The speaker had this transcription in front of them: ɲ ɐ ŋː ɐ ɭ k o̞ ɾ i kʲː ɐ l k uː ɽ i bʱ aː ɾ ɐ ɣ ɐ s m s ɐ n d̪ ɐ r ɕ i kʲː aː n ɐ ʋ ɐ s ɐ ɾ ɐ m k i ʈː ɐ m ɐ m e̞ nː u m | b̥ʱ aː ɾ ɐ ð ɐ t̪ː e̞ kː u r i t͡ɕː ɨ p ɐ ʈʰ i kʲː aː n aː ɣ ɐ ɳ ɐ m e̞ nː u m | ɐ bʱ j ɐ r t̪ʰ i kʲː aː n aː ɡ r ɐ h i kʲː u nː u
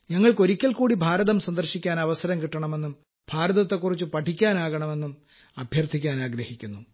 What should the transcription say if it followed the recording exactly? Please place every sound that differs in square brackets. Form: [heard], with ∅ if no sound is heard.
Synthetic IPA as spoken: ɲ ɐ ŋː ɐ ɭ k o̞ ɾ i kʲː ɐ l k uː ɽ i bʱ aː ɾ ɐ [ð] ɐ [∅] m s ɐ n d̪ ɐ r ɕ i kʲː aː n ɐ ʋ ɐ s ɐ ɾ ɐ m k i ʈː ɐ [ɳ] ɐ m e̞ nː u m | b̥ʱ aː ɾ ɐ ð ɐ t̪ː e̞ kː u r i t͡ɕː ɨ p ɐ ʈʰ i kʲː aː n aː ɣ ɐ ɳ ɐ m e̞ nː u m | ɐ bʱ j ɐ r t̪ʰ i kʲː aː n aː ɡ [ɾ] ɐ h i kʲː u nː u